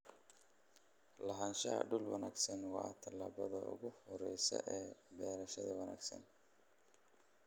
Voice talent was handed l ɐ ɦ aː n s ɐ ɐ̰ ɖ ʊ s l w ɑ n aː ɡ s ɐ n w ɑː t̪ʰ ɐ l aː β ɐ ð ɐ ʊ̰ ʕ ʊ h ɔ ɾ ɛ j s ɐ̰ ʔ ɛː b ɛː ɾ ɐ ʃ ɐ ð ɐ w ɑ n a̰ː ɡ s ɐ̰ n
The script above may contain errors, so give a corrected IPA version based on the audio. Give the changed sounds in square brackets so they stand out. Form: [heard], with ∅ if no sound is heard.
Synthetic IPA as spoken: l ɐ ɦ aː n [ʃ] ɐ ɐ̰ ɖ ʊ [∅] l w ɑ n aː ɡ s ɐ n w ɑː t̪ʰ ɐ l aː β ɐ ð ɐ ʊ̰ [ɣ] ʊ h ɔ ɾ ɛ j s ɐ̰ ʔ ɛː b ɛː ɾ ɐ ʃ ɐ ð ɐ w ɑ n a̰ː ɡ s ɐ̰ n